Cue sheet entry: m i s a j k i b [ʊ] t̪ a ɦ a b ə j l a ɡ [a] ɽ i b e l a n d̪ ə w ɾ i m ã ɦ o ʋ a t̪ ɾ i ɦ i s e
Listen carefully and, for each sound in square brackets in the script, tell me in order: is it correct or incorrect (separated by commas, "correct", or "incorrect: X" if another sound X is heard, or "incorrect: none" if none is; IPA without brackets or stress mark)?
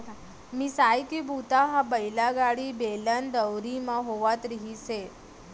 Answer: incorrect: u, correct